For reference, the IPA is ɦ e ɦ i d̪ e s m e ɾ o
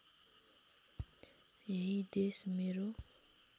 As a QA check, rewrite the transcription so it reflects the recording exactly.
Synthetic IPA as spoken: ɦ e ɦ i d̪ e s m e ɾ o